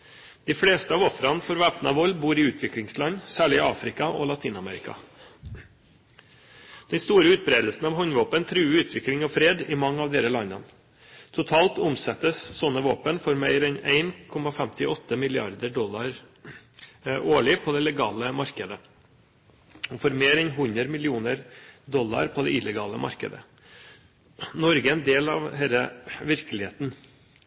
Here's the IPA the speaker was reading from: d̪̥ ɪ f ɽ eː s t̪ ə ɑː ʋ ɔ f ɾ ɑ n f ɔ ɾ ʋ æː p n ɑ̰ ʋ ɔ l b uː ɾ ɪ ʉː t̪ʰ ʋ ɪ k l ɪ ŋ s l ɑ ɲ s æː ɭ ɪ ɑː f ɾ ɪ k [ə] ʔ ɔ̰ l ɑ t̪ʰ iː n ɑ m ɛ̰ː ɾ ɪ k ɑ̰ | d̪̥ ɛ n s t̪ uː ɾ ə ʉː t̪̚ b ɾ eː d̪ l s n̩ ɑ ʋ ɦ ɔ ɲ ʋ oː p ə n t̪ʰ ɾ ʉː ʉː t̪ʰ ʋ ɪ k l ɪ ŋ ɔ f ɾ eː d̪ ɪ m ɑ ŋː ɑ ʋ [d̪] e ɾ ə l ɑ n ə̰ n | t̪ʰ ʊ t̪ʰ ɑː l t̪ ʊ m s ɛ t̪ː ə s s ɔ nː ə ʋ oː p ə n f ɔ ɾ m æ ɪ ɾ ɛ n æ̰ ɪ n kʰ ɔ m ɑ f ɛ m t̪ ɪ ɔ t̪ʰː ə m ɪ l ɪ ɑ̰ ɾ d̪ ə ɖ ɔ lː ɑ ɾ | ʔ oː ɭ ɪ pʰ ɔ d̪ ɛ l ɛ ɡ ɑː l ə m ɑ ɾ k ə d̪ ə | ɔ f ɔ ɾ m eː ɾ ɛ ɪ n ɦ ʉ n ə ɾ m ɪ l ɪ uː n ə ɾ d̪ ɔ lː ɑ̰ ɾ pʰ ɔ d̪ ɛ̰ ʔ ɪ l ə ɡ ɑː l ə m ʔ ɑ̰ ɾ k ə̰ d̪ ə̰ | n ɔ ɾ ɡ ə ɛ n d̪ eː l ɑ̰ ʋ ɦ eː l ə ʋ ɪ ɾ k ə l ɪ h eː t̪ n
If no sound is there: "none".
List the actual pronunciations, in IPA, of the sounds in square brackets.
ɑ, d̪

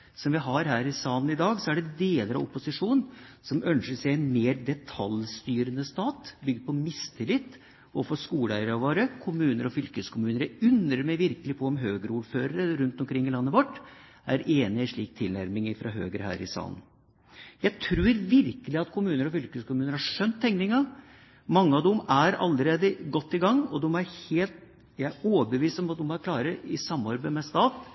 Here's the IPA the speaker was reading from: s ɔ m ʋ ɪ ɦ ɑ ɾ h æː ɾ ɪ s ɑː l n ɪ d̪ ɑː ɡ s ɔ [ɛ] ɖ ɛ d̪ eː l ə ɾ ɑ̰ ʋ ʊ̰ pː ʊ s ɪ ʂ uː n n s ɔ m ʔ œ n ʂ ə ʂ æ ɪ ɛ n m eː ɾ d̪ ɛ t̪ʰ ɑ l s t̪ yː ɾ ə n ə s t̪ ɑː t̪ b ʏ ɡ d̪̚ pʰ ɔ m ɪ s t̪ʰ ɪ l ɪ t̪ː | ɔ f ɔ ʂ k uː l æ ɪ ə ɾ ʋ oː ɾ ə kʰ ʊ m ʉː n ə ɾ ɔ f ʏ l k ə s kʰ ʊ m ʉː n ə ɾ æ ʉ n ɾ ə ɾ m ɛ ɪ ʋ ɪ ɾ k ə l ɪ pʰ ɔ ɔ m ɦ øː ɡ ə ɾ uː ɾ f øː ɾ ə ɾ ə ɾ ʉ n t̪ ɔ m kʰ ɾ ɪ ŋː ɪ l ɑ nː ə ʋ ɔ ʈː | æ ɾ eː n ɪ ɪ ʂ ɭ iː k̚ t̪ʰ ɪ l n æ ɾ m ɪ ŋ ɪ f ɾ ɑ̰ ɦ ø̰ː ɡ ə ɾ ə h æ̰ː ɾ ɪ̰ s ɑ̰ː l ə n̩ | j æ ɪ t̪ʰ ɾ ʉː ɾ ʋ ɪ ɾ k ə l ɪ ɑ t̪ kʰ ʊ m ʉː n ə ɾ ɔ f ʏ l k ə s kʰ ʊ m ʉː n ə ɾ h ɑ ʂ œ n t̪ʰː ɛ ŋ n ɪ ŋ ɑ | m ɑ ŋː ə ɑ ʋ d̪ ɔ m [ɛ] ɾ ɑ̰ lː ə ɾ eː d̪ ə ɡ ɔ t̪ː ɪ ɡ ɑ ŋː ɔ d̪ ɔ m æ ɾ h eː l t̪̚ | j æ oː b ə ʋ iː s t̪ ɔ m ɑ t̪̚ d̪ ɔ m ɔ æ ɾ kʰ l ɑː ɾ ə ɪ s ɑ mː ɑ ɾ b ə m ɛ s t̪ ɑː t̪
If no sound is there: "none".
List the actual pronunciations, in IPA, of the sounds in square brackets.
æ, æ

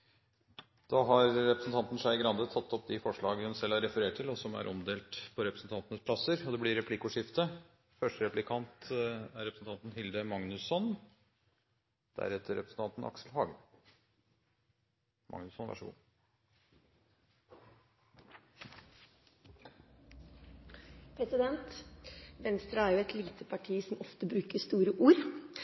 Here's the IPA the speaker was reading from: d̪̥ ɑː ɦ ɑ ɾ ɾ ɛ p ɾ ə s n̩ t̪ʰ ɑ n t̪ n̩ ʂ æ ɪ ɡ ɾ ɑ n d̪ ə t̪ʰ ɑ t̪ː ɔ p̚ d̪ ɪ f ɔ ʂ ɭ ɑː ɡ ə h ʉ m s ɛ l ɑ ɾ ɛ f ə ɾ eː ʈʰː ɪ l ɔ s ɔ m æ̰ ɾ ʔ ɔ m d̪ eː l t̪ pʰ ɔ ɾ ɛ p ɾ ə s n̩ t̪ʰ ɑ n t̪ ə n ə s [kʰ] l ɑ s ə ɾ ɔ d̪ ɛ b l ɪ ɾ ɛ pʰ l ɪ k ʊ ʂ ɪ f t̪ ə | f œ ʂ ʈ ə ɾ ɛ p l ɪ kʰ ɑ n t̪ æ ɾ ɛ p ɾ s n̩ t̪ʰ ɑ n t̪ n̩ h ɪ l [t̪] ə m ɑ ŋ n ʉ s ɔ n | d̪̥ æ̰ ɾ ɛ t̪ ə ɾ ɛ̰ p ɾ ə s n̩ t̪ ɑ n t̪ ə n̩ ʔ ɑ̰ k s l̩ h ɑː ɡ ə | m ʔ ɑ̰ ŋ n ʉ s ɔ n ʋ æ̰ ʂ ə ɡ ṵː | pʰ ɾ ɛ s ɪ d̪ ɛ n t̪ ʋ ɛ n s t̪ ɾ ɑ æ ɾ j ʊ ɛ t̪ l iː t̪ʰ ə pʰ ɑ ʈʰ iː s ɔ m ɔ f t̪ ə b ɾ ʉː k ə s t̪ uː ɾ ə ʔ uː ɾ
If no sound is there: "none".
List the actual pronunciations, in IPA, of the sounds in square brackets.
pʰ, d̪

